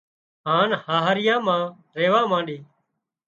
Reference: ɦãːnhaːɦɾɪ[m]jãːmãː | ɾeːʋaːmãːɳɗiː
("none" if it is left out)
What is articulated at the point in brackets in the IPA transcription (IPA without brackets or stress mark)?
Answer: none